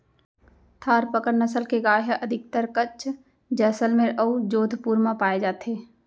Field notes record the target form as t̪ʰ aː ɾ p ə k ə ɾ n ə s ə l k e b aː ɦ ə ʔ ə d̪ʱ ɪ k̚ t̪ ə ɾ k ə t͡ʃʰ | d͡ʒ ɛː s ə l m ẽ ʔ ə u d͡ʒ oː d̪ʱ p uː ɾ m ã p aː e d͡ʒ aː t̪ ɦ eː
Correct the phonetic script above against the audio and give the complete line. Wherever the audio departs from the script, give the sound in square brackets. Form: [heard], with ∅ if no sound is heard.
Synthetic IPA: t̪ʰ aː ɾ p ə k ə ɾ n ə s ə l k e [ɡ] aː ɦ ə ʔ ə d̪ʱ ɪ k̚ t̪ ə ɾ k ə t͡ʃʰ | d͡ʒ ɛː s ə l m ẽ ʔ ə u d͡ʒ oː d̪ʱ p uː ɾ m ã p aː e d͡ʒ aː t̪ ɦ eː